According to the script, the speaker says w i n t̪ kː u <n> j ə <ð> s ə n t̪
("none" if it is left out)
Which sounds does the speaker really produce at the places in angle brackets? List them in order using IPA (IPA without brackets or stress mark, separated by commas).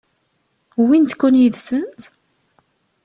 n, ð